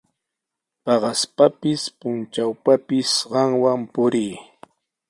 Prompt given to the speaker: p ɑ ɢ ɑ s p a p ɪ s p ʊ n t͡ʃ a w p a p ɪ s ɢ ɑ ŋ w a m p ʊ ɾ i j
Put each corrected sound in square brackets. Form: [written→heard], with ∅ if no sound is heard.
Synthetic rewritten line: p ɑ ɢ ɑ s p a p ɪ s p ʊ n t͡ʃ a w p a p ɪ s ɢ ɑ ŋ w a m p ʊ ɾ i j